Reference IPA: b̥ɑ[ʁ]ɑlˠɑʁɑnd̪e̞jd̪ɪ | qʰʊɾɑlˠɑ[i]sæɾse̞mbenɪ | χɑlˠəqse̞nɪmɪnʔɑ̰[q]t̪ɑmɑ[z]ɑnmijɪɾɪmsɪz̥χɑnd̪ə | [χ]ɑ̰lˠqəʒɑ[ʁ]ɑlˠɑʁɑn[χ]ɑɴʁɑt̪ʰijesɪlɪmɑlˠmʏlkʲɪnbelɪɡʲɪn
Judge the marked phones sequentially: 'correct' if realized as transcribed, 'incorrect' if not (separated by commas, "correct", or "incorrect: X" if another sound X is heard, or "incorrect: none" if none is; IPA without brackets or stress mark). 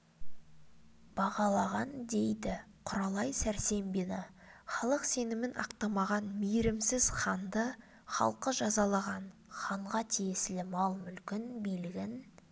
correct, incorrect: j, correct, incorrect: ʁ, correct, incorrect: z, correct